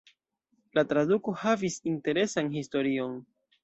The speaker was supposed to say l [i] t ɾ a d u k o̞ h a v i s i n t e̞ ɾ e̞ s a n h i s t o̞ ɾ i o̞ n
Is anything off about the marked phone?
yes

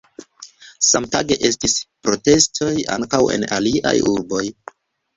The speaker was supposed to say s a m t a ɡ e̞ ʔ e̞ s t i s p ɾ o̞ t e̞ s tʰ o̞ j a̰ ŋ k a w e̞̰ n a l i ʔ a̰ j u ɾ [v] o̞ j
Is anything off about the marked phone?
yes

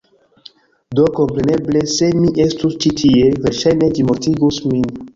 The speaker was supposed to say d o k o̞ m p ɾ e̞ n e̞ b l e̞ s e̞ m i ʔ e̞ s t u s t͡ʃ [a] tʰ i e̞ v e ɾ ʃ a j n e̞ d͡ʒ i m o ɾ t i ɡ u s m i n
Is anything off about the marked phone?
yes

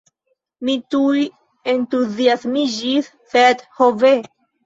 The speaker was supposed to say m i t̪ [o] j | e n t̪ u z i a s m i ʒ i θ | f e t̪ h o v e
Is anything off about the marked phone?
yes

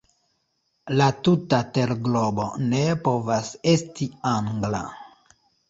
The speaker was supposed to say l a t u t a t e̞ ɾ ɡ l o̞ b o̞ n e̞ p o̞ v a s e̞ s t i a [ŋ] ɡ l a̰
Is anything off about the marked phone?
no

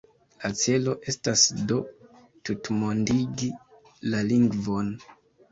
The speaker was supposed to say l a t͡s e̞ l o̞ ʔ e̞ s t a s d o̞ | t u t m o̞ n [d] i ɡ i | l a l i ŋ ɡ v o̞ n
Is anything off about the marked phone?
no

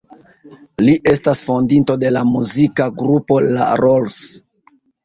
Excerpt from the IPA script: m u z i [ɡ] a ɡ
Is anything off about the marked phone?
yes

